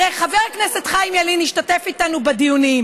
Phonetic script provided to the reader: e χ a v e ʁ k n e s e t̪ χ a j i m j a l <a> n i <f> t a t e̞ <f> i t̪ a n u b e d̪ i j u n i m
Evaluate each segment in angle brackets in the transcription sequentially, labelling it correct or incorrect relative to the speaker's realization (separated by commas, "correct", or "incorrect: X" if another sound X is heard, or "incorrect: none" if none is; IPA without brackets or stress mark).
incorrect: i, incorrect: ʃ, correct